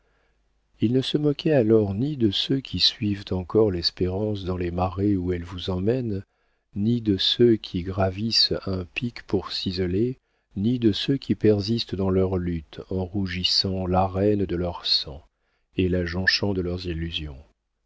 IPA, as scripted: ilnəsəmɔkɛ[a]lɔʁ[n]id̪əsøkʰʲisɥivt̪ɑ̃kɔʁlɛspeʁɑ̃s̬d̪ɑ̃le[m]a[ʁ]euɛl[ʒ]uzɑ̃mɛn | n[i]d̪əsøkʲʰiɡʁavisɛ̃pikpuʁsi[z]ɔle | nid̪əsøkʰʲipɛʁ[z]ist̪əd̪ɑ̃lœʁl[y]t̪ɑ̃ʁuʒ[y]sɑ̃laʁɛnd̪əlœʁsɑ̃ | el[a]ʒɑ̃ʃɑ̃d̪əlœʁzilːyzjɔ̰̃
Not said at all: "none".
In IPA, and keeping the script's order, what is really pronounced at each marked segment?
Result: a, n, m, ʁ, v, i, z, z, y, i, a

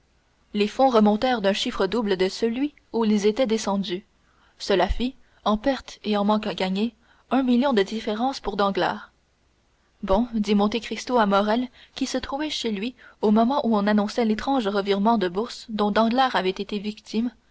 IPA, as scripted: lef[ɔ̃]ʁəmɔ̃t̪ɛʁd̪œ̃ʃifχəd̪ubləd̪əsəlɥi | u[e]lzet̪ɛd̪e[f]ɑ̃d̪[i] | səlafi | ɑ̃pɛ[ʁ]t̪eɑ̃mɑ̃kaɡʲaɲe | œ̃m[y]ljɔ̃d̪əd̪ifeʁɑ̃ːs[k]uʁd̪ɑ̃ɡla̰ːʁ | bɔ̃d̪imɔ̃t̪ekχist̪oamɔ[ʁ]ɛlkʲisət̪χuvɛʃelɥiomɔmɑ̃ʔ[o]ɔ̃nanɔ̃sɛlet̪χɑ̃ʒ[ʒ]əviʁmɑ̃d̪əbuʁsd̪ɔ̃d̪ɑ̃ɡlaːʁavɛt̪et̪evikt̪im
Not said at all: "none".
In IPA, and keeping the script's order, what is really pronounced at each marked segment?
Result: ɔ̃, i, s, y, ʁ, i, p, ʁ, u, ʁ

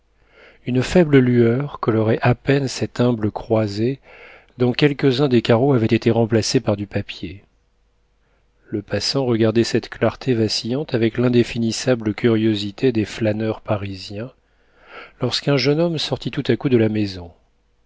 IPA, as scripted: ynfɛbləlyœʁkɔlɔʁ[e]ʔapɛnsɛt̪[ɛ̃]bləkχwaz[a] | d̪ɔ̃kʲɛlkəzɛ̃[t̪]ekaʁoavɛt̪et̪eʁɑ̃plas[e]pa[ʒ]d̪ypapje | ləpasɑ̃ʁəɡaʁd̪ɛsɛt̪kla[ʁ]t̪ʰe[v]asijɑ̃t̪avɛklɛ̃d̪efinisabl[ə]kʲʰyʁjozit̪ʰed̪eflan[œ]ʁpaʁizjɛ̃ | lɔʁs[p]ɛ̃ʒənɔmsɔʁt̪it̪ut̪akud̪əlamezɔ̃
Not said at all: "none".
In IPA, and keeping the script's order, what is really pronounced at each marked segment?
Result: ɛ, ɛ̃, e, d̪, e, ʁ, ʁ, v, ə, œ, k

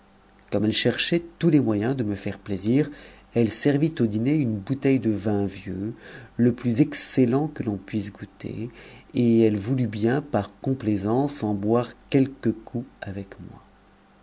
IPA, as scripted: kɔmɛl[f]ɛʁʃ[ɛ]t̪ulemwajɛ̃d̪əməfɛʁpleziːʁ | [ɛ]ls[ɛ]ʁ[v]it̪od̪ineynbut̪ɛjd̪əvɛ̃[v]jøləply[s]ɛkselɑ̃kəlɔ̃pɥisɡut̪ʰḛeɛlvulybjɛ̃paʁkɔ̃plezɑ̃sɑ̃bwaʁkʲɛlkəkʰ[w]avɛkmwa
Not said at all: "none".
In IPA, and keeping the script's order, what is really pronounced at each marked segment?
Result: ʃ, ɛ, ɛ, ɛ, v, v, z, u

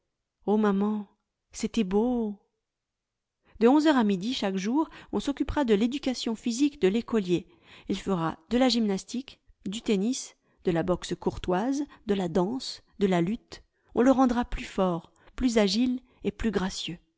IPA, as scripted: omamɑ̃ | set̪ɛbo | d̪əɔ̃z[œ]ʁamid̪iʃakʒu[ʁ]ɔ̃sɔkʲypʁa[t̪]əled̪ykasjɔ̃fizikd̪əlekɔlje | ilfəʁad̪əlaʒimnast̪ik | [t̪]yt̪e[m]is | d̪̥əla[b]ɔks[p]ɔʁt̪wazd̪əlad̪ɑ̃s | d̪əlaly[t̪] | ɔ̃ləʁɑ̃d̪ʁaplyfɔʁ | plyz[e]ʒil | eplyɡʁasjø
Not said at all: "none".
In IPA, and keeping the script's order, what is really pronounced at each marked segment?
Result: œ, ʁ, d̪, d̪, n, b, k, t̪, a

